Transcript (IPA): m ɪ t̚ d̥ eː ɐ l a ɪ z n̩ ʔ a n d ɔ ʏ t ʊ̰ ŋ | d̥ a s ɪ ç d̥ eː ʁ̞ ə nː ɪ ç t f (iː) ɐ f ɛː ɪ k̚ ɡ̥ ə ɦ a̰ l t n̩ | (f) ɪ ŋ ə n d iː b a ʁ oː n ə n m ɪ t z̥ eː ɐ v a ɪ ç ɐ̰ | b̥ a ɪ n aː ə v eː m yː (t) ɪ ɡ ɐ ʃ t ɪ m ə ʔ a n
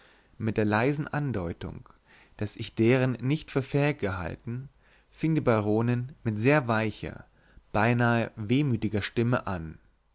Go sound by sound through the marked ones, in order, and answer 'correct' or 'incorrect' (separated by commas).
incorrect, correct, correct